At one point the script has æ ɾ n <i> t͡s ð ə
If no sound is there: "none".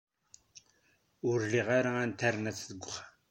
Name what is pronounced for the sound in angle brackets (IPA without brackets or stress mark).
æ